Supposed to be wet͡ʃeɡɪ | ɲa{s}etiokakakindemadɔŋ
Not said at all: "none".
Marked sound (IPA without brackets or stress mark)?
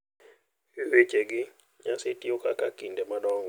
s